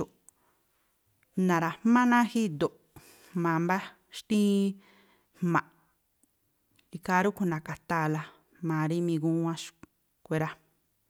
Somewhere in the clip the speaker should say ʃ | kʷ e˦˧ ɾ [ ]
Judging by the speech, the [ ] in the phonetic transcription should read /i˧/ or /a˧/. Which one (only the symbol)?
a˧